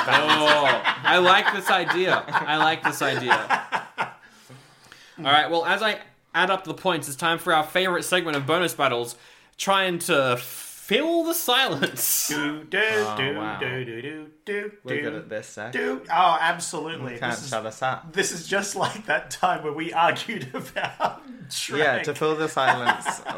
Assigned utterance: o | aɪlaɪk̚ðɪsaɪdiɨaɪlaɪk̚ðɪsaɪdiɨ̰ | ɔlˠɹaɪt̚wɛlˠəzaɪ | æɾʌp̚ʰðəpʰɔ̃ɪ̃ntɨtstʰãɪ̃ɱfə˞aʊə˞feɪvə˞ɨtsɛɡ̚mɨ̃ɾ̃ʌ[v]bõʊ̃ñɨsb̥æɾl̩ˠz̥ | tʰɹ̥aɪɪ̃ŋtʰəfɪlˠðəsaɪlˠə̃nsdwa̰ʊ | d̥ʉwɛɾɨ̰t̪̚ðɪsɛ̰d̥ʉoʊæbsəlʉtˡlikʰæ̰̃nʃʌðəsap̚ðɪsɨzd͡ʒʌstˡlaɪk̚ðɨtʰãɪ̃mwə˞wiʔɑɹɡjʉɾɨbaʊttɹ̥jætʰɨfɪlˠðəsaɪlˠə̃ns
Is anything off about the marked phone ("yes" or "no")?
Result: no